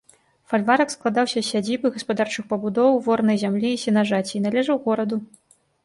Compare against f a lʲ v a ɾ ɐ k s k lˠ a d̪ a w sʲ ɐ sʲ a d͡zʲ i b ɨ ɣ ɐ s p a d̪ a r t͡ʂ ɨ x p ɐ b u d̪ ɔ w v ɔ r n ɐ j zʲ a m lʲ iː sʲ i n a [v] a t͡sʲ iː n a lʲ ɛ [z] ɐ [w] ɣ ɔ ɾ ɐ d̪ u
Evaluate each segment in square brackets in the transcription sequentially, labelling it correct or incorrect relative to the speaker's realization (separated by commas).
incorrect, incorrect, correct